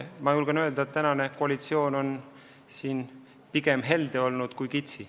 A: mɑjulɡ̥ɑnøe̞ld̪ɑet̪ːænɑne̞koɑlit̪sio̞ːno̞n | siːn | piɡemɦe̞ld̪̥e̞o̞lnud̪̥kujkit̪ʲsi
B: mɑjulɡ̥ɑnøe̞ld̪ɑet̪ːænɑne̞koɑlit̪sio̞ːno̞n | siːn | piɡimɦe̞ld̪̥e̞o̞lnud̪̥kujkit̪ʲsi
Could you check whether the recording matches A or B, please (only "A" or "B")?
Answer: A